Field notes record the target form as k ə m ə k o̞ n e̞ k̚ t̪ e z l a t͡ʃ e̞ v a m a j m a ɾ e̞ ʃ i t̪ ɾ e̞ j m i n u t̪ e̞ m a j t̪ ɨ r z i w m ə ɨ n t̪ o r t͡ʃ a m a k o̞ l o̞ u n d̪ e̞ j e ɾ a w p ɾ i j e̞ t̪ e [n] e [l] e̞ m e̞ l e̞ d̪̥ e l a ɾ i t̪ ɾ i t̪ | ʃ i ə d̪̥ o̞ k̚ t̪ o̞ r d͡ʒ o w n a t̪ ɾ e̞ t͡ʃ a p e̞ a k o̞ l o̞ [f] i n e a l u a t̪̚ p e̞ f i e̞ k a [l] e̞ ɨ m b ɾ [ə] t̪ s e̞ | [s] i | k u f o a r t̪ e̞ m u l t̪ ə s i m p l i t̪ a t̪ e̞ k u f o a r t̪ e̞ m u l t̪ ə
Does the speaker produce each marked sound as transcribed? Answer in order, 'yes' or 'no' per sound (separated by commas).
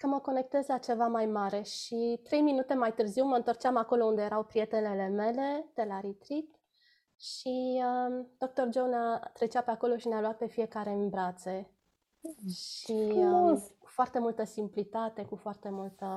yes, yes, no, no, no, no